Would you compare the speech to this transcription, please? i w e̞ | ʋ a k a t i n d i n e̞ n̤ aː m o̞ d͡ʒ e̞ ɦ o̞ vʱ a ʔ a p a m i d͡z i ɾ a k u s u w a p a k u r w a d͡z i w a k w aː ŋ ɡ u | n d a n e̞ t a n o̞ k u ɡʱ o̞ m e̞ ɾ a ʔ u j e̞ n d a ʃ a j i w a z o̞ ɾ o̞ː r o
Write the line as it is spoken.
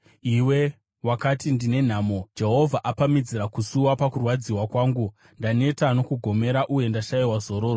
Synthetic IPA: i w e̞ | w a k a t i n d i n e̞ n̤ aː m o̞ d͡ʒ e̞ ɦ o̞ vʱ a ʔ a p a m i d͡z i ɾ a k u s u w a p a k u r w a d͡z i w a k w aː ŋ ɡ u | n d a n e̞ t a n o̞ k u ɡʱ o̞ m e̞ ɾ a ʔ u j e̞ n d a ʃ a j i w a z o̞ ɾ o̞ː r o